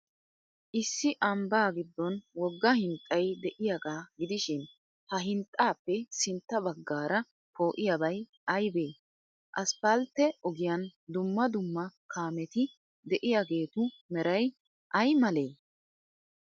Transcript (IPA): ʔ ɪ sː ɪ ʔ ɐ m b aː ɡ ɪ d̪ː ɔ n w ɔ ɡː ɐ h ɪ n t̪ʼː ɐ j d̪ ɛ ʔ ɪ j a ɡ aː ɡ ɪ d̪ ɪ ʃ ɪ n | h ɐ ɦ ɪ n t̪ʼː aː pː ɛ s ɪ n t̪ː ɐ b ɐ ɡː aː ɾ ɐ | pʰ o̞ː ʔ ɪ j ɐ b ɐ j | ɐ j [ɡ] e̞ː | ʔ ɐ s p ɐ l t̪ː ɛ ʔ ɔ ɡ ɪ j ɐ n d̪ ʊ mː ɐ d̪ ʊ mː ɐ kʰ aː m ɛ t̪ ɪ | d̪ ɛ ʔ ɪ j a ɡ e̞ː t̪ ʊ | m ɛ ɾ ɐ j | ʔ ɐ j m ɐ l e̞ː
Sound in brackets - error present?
yes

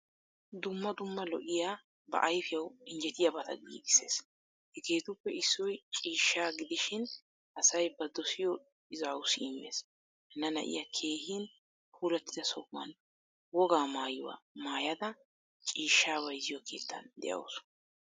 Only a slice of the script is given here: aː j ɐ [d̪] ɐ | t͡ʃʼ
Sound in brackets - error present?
no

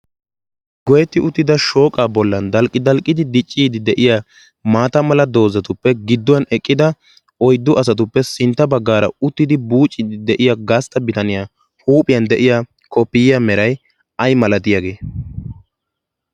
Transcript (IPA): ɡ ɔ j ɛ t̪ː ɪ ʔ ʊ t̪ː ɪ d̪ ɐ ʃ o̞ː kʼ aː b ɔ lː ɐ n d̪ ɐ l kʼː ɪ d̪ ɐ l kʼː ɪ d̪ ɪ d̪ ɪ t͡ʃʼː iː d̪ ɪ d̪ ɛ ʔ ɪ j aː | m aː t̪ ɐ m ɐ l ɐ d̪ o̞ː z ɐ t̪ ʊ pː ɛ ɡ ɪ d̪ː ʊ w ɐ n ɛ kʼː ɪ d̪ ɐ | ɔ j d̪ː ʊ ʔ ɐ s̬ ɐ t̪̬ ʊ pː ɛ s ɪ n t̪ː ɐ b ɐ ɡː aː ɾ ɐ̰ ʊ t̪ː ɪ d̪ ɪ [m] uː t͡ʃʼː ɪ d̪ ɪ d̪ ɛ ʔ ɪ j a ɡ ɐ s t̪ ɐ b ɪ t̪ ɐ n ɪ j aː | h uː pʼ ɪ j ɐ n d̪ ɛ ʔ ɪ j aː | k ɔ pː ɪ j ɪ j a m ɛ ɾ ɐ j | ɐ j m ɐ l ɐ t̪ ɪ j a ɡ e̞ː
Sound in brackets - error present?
yes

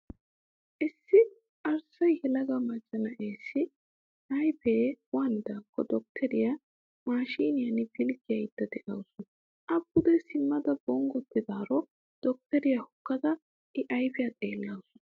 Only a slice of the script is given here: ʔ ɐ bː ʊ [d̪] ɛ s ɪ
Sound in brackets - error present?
no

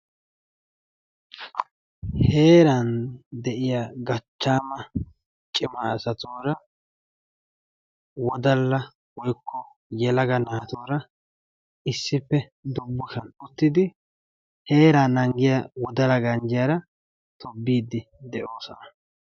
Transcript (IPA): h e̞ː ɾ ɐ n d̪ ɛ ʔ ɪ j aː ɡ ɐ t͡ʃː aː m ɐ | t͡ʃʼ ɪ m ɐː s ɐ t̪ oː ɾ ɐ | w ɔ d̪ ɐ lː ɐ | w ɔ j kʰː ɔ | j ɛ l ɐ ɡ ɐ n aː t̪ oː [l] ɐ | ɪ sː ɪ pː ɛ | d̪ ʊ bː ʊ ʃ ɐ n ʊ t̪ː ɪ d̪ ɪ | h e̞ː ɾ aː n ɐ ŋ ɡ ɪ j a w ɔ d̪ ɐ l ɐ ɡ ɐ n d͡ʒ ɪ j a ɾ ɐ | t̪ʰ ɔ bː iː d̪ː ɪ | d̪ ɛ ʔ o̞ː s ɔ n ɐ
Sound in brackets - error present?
yes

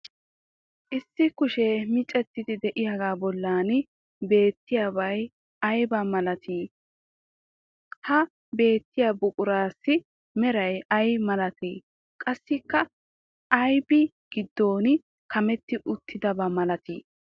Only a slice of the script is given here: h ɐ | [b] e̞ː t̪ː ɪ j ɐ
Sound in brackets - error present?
no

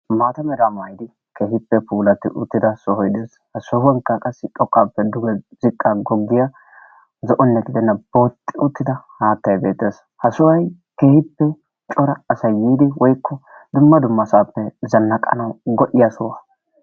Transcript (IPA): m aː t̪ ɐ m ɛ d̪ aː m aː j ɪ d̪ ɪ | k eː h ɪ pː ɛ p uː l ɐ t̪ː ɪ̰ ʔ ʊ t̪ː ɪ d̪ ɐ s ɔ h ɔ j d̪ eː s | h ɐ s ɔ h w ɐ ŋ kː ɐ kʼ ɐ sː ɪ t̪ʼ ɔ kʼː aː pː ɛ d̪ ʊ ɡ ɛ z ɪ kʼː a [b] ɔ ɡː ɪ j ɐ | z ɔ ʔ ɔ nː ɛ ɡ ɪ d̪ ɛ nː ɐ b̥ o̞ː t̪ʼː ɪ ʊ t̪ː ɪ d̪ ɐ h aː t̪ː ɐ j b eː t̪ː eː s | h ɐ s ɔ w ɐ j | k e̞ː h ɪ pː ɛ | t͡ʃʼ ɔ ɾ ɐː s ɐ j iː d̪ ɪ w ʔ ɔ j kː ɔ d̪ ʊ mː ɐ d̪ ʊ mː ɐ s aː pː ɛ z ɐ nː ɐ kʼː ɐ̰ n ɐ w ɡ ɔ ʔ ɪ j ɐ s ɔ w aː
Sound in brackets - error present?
yes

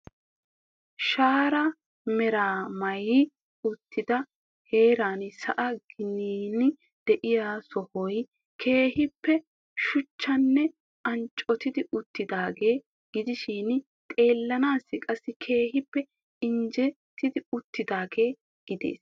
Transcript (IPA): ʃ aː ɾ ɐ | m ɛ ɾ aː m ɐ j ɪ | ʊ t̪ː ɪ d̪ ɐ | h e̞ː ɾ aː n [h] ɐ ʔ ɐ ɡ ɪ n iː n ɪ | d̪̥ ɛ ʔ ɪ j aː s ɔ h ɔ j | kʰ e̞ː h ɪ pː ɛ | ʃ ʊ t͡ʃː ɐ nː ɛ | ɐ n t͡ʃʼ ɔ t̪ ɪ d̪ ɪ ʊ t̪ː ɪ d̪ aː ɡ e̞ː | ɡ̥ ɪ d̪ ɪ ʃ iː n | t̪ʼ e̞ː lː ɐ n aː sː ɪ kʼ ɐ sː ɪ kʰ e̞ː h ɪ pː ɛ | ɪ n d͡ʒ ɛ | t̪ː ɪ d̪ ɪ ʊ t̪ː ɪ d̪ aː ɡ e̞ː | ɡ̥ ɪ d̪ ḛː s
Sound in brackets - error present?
yes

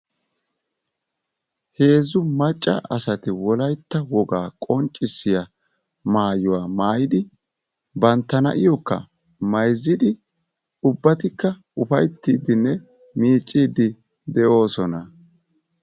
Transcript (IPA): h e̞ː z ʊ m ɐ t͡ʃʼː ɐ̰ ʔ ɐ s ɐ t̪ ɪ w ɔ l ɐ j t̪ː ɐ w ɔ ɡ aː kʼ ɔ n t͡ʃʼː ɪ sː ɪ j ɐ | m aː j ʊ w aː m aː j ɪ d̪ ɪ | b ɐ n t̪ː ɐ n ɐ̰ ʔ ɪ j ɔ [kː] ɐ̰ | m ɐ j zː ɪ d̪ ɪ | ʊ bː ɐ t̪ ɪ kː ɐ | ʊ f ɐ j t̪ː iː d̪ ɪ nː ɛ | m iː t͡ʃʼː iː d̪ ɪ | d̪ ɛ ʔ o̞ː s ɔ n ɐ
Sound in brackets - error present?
no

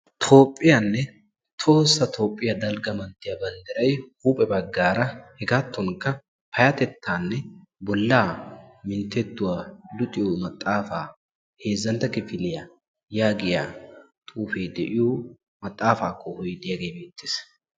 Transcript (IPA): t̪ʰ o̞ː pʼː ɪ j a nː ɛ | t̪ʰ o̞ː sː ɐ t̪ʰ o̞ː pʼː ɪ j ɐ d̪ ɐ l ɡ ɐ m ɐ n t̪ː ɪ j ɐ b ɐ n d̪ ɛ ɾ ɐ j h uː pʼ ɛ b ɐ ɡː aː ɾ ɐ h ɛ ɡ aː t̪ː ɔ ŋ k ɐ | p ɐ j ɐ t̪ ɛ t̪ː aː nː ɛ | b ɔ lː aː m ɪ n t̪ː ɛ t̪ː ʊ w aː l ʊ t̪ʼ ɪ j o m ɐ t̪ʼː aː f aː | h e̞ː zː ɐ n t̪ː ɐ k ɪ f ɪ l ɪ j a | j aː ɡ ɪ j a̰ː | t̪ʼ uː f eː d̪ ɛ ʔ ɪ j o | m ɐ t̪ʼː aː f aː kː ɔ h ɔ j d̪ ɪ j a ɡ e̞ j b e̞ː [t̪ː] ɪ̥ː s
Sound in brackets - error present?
no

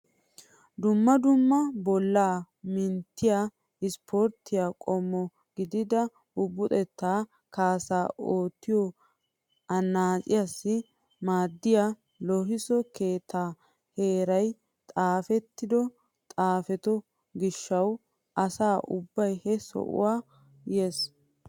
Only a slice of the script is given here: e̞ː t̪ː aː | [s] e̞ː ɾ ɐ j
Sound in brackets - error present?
yes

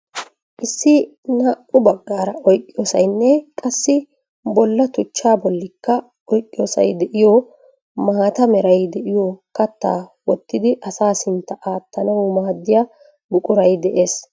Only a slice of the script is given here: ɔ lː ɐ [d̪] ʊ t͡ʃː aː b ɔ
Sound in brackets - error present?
yes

